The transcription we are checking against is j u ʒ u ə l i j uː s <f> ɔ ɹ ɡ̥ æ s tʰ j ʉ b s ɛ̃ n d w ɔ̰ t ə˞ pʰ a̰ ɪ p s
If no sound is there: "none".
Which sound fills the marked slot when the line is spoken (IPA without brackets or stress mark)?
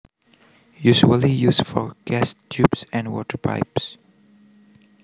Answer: f